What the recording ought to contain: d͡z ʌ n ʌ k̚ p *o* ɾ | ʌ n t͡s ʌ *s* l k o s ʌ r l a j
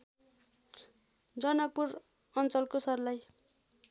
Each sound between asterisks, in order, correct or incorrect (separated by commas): incorrect, incorrect